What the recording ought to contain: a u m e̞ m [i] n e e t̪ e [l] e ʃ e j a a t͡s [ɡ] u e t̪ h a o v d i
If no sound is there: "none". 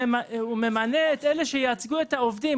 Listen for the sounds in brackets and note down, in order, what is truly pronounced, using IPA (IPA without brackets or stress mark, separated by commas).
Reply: a, l, ɡ